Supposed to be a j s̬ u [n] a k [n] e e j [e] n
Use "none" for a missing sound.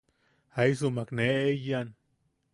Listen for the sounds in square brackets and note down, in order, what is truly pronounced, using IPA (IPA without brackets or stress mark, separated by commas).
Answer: m, n, a